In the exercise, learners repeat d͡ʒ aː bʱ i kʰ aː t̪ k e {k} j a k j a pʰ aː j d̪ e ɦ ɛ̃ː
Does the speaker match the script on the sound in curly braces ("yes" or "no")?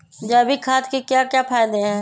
yes